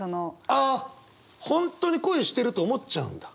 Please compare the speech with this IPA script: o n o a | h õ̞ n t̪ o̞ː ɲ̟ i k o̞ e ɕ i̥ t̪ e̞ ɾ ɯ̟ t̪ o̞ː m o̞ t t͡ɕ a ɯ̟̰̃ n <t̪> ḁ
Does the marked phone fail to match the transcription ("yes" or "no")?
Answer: yes